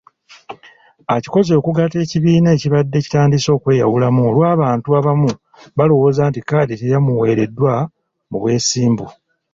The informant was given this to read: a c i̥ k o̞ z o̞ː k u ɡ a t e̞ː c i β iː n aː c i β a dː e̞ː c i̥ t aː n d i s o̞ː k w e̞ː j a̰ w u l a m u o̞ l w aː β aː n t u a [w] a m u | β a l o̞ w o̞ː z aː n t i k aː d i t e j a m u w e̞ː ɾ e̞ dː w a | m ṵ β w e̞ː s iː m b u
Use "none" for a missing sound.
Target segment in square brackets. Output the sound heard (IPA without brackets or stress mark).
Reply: β